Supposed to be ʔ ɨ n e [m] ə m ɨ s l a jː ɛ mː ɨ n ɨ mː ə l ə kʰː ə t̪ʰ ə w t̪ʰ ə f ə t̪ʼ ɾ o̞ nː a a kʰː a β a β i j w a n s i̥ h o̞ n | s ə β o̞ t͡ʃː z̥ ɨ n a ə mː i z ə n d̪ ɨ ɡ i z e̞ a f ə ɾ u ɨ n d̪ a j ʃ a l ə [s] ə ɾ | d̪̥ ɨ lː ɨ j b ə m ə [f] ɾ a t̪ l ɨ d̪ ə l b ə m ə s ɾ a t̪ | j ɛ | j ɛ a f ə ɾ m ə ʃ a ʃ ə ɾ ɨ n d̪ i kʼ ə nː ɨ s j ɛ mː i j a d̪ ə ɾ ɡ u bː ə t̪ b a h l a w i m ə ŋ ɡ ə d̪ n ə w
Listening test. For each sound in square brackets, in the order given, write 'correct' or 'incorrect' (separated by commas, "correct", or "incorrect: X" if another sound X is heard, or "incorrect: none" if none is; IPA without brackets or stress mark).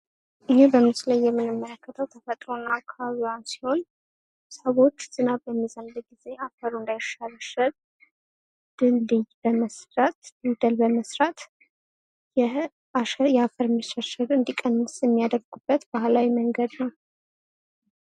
incorrect: b, incorrect: ʃ, incorrect: s